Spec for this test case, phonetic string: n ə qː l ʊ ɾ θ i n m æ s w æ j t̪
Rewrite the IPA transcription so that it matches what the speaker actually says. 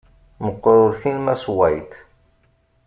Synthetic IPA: m ə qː ɾ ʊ ɾ θ i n m æ s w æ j t̪